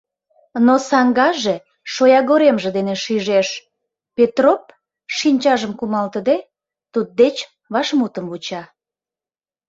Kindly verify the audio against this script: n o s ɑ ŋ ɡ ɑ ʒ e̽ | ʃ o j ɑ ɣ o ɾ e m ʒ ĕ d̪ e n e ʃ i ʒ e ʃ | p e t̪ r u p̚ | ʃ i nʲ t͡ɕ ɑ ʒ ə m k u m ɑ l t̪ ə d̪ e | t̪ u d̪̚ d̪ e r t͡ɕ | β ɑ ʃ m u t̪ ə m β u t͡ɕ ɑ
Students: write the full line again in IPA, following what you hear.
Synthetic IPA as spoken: n o s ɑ ŋ ɡ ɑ ʒ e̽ | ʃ o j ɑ ɣ o ɾ e m ʒ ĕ d̪ e n e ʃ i ʒ e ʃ | p e t̪ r o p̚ | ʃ i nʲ t͡ɕ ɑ ʒ ə m k u m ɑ l t̪ ə d̪ e | t̪ u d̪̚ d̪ e t͡ɕ | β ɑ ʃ m u t̪ ə m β u t͡ɕ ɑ